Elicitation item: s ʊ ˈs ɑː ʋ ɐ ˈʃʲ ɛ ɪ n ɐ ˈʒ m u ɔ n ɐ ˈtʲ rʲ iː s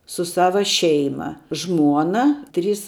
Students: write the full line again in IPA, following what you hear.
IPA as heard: s ʊ ˈs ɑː ʋ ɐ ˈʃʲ ɛ ɪ m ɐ ˈʒ m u ɔ n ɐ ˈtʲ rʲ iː s

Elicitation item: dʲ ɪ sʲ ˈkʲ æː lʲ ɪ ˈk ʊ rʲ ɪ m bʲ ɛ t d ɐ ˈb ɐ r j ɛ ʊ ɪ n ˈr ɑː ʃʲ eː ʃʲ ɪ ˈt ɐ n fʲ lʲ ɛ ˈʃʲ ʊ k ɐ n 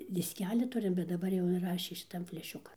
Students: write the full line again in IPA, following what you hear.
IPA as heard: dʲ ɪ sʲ ˈkʲ æː lʲ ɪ ˈt ʊ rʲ ɪ m bʲ ɛ t d ɐ ˈb ɐ r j ɛ ʊ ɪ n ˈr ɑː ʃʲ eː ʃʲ ɪ ˈt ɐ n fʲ lʲ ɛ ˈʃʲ ʊ k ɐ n

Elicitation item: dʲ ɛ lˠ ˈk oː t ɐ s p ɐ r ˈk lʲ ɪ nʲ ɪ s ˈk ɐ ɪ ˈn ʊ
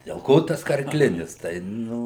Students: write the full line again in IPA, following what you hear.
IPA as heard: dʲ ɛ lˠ ˈk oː t ɐ s k ɐ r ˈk lʲ ɪ nʲ ɪ s ˈt ɐ ɪ ˈn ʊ

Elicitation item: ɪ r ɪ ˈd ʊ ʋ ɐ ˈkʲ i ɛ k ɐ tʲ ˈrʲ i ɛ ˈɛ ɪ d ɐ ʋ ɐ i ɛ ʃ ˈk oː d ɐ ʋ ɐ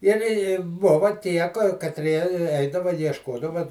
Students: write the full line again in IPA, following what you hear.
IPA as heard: ɪ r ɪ ˈb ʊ ʋ ɐ ˈtʲ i ɛ k ɐ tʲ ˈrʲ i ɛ ˈɛ ɪ d ɐ ʋ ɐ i ɛ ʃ ˈk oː d ɐ ʋ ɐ

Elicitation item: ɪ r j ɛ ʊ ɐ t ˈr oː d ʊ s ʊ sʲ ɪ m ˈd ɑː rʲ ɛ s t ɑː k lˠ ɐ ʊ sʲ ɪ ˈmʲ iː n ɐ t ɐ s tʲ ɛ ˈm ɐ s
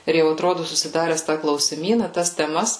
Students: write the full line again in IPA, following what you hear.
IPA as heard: ɪ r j ɛ ʊ ɐ t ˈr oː d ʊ s ʊ sʲ ɪ ˈd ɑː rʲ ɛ s t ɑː k lˠ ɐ ʊ sʲ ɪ ˈmʲ iː n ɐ t ɐ s tʲ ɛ ˈm ɐ s

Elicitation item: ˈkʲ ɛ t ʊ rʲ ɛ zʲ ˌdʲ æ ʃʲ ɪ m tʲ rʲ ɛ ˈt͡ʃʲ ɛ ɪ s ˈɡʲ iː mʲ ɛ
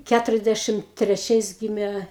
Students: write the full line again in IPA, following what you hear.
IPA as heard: ˈkʲ æ t ʊ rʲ ɛ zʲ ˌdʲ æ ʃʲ ɪ m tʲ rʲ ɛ ˈt͡ʃʲ ɛ ɪ s ˈɡʲ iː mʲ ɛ

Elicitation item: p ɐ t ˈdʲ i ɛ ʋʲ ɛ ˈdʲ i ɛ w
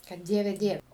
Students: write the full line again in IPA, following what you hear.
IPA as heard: k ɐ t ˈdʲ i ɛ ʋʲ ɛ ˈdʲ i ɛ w

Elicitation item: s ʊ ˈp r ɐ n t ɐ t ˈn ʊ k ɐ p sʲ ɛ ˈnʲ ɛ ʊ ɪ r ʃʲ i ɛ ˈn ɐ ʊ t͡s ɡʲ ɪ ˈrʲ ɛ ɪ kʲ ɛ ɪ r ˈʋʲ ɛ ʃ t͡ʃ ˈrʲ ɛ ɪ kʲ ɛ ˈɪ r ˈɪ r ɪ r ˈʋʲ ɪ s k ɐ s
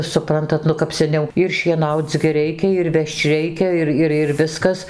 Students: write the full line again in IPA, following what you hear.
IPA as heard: s ʊ ˈp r ɐ n t ɐ t ˈn ʊ k ɐ p sʲ ɛ ˈnʲ ɛ ʊ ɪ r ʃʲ i ɛ ˈn ɐ ʊ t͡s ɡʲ ɪ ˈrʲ ɛ ɪ kʲ ɛ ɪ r ˈʋʲ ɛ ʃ t͡ʃ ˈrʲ ɛ ɪ kʲ ɛ ˈɪ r ˈɪ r ɪ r ˈʋʲ ɪ s k ɐ s

